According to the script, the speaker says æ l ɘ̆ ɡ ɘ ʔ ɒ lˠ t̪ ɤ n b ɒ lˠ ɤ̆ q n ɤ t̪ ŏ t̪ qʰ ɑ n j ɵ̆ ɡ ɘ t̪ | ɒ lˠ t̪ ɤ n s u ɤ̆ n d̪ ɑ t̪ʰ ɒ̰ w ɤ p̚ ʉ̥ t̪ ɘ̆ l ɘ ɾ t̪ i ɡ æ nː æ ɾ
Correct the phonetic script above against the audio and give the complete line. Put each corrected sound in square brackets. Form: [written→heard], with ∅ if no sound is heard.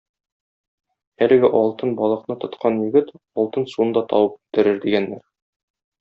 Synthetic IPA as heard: æ l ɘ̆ ɡ ɘ ʔ ɒ lˠ t̪ ɤ n b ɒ lˠ ɤ̆ q n ɤ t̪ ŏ t̪ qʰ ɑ n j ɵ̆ ɡ ɘ t̪ | ɒ lˠ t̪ ɤ n s u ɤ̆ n d̪ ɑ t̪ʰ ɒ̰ w ɤ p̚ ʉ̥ t̪ ɘ̆ [l→ɾ] ɘ ɾ [t̪→d̪] i ɡ æ nː æ ɾ

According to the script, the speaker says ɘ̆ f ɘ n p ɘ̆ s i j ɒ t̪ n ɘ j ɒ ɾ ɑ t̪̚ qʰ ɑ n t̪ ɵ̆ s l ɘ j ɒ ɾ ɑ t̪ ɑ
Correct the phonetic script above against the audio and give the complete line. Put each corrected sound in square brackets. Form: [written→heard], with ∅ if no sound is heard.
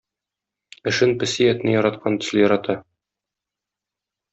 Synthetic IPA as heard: ɘ̆ [f→ʃ] ɘ n p ɘ̆ s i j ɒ t̪ n ɘ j ɒ ɾ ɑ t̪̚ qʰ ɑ n t̪ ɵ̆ s l ɘ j ɒ ɾ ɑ t̪ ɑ

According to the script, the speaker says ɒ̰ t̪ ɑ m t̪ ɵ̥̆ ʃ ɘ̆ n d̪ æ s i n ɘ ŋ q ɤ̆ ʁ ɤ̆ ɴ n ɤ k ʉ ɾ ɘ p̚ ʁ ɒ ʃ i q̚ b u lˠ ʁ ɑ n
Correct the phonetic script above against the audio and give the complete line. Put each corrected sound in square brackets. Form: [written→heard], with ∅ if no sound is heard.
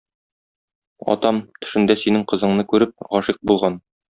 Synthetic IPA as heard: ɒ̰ t̪ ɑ m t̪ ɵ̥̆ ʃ ɘ̆ n d̪ æ s i n ɘ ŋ q ɤ̆ [ʁ→z] ɤ̆ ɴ n ɤ k ʉ ɾ ɘ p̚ ʁ ɒ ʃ i q̚ b u lˠ ʁ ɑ n

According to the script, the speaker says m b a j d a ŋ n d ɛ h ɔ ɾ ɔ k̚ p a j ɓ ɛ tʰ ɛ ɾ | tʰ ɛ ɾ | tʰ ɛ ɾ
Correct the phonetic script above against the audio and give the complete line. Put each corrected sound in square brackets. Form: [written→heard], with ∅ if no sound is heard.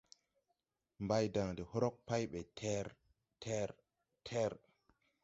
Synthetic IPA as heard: m b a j d a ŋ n d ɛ h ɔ ɾ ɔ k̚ p a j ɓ ɛ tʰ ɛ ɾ | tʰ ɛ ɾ | tʰ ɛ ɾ

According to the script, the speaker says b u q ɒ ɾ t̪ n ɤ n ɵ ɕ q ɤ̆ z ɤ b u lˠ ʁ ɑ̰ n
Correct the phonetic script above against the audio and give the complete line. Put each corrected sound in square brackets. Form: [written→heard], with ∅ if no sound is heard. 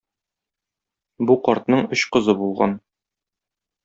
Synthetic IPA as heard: b u q ɒ ɾ t̪ n ɤ [n→ɴ] ɵ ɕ q ɤ̆ z ɤ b u lˠ ʁ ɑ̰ n

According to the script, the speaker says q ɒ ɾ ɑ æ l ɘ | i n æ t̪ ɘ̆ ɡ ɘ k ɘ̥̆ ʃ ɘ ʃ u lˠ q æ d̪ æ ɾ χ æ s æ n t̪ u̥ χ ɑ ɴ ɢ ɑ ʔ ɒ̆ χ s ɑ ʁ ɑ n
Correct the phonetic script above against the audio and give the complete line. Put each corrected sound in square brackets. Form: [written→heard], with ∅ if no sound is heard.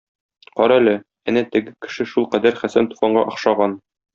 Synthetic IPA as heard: q ɒ ɾ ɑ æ l ɘ | [i→æ] n æ t̪ ɘ̆ ɡ ɘ k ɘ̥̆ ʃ ɘ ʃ u lˠ q æ d̪ æ ɾ χ æ s æ n t̪ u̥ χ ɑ ɴ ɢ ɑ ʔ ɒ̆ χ [s→ʃ] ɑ ʁ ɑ n

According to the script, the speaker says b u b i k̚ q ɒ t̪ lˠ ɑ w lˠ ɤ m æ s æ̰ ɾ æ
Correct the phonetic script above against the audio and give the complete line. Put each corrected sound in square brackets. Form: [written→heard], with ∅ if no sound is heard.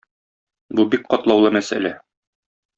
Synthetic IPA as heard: b u b i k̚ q ɒ t̪ lˠ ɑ w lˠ ɤ m æ s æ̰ [ɾ→l] æ

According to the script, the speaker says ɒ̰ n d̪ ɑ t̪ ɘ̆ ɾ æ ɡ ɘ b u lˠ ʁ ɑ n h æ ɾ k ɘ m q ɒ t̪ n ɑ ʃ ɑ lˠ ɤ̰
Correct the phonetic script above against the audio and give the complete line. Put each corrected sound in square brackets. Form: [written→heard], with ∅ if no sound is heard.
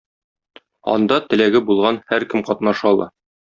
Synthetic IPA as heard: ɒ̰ n d̪ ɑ t̪ ɘ̆ [ɾ→l] æ ɡ ɘ b u lˠ ʁ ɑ n h æ ɾ k ɘ m q ɒ t̪ n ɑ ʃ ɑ lˠ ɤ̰

